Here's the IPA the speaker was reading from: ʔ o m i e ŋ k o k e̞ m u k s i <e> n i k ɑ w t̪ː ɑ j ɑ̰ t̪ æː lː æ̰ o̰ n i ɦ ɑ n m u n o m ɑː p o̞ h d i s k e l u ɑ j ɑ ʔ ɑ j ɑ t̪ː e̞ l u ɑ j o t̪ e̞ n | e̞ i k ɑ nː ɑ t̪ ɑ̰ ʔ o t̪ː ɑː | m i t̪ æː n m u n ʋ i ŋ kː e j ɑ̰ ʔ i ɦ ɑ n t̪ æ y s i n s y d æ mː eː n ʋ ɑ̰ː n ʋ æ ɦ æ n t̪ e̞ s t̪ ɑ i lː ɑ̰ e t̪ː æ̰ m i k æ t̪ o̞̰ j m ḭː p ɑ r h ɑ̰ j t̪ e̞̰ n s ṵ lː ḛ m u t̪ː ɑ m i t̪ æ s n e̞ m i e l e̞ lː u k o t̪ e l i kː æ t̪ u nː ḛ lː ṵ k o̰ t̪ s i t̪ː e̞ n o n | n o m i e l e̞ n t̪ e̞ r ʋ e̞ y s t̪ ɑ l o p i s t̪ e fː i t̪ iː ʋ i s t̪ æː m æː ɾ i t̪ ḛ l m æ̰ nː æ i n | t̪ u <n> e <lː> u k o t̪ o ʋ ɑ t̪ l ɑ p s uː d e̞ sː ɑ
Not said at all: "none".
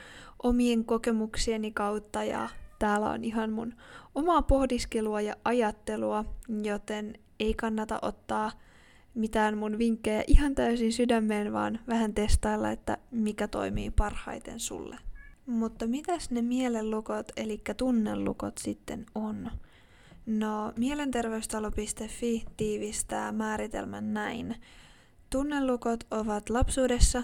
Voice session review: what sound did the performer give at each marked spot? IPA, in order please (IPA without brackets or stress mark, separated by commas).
e, nː, lː